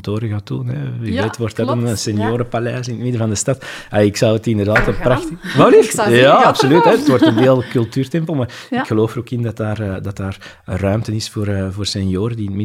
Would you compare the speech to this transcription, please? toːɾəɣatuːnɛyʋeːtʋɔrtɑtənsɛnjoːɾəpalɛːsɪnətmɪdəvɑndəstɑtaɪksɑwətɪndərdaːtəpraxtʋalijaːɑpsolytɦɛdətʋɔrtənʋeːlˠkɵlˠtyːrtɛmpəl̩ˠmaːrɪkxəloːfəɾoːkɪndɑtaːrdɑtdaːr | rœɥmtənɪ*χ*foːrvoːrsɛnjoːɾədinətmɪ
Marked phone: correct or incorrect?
incorrect